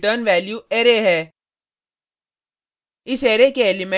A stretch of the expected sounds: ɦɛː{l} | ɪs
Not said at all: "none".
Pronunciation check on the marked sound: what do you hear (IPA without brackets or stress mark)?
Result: none